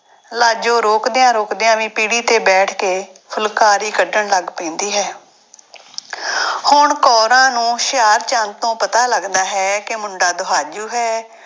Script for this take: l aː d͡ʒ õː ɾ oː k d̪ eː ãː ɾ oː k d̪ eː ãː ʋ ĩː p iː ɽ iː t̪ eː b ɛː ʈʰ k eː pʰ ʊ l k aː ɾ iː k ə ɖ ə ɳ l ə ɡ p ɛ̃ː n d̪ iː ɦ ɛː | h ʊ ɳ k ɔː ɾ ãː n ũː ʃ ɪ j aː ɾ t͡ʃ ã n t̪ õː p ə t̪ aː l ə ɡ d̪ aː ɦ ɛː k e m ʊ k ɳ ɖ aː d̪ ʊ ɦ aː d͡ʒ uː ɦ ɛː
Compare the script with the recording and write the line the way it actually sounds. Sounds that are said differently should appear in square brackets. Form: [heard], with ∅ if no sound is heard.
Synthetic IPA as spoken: l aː d͡ʒ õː ɾ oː k d̪ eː ãː ɾ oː k d̪ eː ãː ʋ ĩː p iː ɽ iː t̪ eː b ɛː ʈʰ k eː pʰ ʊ l k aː ɾ iː k ə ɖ ə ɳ l ə ɡ p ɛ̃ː n d̪ iː ɦ ɛː | h ʊ ɳ k ɔː ɾ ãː n ũː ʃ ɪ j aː ɾ t͡ʃ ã n t̪ õː p ə t̪ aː l ə ɡ d̪ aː ɦ ɛː k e m ʊ [∅] ɳ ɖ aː d̪ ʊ ɦ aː d͡ʒ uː ɦ ɛː